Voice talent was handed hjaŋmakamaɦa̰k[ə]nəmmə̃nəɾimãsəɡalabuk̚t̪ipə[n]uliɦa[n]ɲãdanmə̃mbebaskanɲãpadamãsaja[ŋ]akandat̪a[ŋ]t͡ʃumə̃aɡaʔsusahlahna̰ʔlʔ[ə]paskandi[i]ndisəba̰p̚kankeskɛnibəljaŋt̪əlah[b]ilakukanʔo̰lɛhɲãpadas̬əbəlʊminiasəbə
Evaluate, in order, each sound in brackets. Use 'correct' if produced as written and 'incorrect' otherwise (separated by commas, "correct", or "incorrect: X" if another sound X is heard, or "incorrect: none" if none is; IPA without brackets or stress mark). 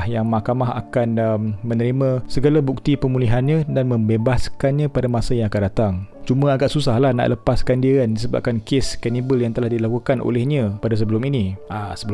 incorrect: a, incorrect: m, correct, correct, correct, correct, incorrect: a, incorrect: d